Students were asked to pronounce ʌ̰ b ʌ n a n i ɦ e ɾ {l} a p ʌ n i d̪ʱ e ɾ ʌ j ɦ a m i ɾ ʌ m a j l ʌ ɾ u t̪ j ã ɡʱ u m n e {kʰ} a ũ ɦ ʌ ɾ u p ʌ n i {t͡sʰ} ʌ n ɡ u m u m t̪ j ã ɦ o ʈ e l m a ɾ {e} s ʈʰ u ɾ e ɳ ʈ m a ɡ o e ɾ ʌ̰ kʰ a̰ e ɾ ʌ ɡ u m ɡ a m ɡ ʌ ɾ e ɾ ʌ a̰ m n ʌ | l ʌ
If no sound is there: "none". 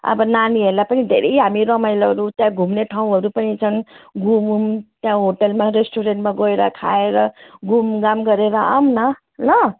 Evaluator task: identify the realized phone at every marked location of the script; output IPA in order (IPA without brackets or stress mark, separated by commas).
l, ʈʰ, t͡sʰ, e